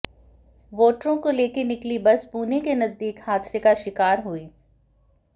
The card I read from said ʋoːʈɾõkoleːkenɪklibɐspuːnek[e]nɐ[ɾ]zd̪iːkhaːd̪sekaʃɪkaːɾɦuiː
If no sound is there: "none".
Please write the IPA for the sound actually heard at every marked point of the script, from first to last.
e, none

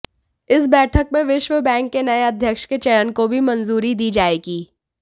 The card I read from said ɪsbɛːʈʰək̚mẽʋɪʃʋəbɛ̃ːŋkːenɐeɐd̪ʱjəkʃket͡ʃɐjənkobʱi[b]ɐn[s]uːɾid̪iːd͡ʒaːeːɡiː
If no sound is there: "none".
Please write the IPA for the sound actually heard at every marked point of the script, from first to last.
m, z

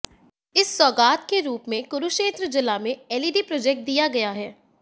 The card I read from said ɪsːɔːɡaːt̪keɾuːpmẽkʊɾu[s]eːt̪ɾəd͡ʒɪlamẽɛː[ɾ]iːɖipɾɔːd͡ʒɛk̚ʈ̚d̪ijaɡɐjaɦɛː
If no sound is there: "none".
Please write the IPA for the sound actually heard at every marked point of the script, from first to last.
ʃ, l

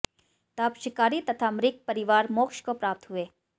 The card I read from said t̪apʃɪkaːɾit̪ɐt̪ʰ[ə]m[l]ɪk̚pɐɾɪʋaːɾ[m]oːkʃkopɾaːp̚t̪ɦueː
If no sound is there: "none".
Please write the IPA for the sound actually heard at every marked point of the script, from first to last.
a, ɾ, m

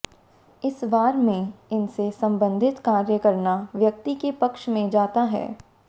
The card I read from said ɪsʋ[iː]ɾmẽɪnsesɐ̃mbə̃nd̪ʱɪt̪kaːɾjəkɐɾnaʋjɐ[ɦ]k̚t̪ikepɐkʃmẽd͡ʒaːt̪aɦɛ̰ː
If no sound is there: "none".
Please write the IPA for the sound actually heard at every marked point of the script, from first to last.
aː, none

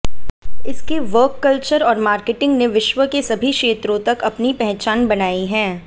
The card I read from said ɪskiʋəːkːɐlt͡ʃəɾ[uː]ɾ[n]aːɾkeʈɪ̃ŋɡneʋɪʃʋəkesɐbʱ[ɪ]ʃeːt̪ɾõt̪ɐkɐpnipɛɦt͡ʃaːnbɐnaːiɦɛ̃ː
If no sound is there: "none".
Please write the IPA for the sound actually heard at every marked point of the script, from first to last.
ɔː, m, i

